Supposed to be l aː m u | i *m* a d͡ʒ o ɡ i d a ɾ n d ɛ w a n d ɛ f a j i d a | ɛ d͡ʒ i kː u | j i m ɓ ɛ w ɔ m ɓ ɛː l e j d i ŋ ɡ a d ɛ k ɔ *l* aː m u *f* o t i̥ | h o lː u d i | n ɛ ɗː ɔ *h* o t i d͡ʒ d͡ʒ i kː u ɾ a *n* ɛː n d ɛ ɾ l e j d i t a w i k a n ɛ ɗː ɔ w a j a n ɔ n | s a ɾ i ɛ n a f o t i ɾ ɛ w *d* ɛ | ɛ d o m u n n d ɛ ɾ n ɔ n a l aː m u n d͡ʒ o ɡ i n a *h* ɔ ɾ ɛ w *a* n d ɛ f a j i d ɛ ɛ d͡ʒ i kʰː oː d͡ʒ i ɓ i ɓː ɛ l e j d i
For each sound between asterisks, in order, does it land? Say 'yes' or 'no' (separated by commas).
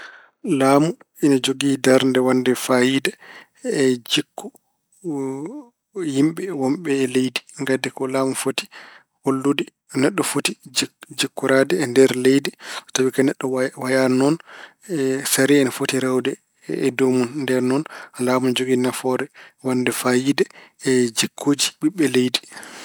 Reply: no, yes, yes, no, no, yes, no, yes